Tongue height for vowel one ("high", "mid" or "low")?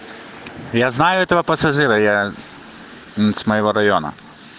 low